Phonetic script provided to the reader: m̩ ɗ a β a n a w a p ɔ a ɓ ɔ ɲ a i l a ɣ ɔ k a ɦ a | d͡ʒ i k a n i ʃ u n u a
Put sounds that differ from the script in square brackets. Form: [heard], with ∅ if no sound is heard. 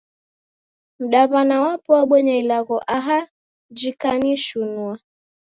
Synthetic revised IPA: m̩ ɗ a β a n a w a p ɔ a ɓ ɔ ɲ a i l a ɣ ɔ [ʔ] a ɦ a | d͡ʒ i k a n i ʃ u n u a